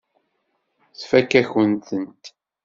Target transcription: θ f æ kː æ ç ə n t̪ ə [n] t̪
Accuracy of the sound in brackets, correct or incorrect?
correct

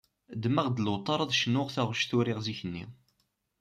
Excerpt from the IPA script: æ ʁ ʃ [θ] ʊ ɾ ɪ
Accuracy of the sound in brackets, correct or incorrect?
correct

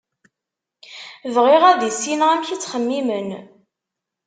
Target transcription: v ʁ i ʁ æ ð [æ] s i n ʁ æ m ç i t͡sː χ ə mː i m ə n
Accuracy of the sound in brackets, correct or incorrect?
incorrect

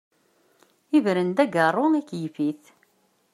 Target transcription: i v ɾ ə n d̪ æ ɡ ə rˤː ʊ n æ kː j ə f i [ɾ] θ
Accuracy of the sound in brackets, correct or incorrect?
incorrect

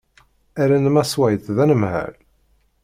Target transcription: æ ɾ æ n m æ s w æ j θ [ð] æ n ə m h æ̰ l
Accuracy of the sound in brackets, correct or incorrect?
correct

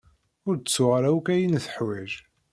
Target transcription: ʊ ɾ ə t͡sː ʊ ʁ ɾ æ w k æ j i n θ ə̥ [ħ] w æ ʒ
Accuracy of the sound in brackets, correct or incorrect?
correct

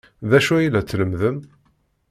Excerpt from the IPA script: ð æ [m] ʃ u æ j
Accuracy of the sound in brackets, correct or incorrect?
incorrect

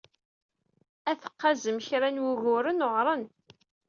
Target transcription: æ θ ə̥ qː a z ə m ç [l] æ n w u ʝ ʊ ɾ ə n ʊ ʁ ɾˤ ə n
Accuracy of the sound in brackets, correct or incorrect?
incorrect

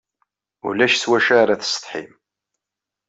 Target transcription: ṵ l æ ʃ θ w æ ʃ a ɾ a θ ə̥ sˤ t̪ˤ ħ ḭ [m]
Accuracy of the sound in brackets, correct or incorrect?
correct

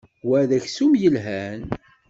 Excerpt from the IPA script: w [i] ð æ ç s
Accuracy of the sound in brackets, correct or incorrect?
incorrect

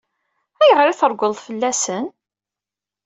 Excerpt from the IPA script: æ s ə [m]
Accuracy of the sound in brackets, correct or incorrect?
incorrect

